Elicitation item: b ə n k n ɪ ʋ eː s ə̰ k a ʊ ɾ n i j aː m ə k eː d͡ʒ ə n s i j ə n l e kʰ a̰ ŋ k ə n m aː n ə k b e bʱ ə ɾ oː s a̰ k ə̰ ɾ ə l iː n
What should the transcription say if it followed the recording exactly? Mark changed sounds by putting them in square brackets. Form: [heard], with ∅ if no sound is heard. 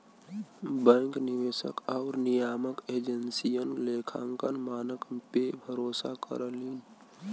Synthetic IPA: b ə [ŋ] k n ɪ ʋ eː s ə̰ k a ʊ ɾ n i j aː m ə k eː d͡ʒ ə n s i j ə n l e kʰ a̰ ŋ k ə n m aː n ə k [p] e bʱ ə ɾ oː s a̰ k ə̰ ɾ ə l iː n

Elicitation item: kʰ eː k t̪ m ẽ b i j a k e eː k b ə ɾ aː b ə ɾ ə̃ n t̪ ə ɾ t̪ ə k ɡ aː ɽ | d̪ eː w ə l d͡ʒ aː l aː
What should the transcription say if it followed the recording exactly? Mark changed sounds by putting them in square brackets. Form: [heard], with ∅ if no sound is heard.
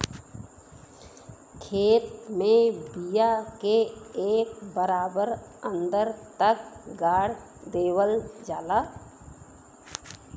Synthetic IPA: kʰ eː [∅] t̪ m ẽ b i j a k e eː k b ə ɾ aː b ə ɾ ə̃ n [d̪] ə ɾ t̪ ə k ɡ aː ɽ | d̪ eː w ə l d͡ʒ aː l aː

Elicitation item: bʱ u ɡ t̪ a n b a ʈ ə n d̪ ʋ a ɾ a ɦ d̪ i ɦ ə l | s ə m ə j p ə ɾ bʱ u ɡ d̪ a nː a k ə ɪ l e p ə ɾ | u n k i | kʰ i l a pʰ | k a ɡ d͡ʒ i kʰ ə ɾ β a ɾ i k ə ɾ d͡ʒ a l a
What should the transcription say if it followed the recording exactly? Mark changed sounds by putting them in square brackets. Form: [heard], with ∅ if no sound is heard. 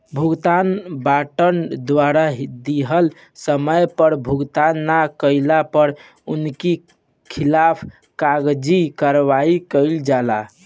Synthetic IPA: bʱ u ɡ t̪ a n b a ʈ ə n d̪ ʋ a ɾ a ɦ d̪ i ɦ ə l | s ə m ə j p ə ɾ bʱ u ɡ [t̪] a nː a k ə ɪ l [a] p ə ɾ | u n k i | kʰ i l a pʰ | k a ɡ d͡ʒ i [k] ə ɾ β a [∅] i k ə [l] d͡ʒ a l a

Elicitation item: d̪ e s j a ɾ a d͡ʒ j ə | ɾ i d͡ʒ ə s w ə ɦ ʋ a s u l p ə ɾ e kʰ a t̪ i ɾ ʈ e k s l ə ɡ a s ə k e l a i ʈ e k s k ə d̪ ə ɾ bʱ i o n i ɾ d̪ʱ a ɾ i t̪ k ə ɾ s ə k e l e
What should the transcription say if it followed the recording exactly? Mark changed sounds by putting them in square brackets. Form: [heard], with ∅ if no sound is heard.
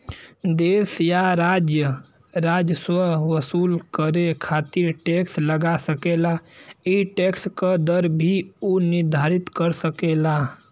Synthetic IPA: d̪ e s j a ɾ a d͡ʒ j ə | ɾ [a] d͡ʒ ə s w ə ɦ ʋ [ə] s u l [k] ə ɾ e kʰ a t̪ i ɾ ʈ e k s l ə ɡ a s ə k e l a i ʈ e k s k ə d̪ ə ɾ bʱ i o n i ɾ d̪ʱ a ɾ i t̪ k ə ɾ s ə k e l [a]

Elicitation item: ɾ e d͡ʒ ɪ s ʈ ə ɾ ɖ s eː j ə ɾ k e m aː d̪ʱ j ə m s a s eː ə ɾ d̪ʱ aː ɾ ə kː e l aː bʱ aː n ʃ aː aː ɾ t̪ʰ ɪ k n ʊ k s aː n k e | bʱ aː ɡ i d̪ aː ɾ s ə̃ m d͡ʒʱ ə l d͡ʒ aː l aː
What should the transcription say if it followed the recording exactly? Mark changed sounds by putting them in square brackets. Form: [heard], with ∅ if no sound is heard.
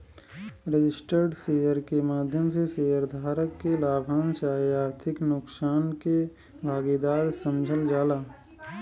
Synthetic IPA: ɾ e d͡ʒ ɪ s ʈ ə ɾ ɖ s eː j ə ɾ k e m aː d̪ʱ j ə m s [e] s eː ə ɾ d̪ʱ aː ɾ ə kː e l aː bʱ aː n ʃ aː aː ɾ t̪ʰ ɪ k n ʊ k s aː n k e | bʱ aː ɡ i d̪ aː ɾ s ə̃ m d͡ʒʱ ə l d͡ʒ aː l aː

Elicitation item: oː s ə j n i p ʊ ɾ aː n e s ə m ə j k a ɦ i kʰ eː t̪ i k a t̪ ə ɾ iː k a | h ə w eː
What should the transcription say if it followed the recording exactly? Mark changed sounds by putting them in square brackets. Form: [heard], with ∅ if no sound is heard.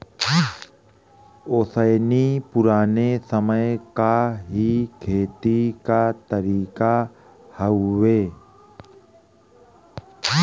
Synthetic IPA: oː s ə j n i p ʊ ɾ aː n e s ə m ə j k a ɦ i kʰ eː t̪ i k a t̪ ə ɾ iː k a | h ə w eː

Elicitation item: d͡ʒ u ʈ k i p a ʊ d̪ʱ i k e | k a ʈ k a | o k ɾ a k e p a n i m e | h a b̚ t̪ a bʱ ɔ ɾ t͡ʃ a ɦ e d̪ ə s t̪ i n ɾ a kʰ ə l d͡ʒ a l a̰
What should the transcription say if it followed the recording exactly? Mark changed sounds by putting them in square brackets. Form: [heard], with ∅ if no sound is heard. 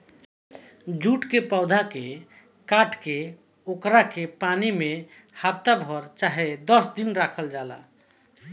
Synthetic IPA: d͡ʒ u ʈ k [e] p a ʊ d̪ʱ [a] k e | k a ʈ k [e] | o k ɾ a k e p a n i m e | h a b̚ t̪ a bʱ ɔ ɾ t͡ʃ a ɦ e d̪ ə s [d̪] i n ɾ a kʰ ə l d͡ʒ a l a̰

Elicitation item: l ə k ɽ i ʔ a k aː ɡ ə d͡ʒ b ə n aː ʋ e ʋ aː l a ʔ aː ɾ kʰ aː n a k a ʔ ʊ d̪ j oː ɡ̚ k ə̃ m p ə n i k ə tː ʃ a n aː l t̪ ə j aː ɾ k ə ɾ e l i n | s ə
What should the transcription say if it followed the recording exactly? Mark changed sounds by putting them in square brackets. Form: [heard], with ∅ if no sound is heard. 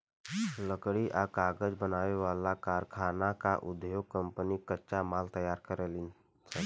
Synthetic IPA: l ə k ɽ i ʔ a k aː ɡ ə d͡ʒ b ə n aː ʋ e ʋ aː l a [k] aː ɾ kʰ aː n a k a ʔ ʊ d̪ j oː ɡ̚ k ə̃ m p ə n i k ə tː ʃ a [m] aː l t̪ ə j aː ɾ k ə ɾ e l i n | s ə

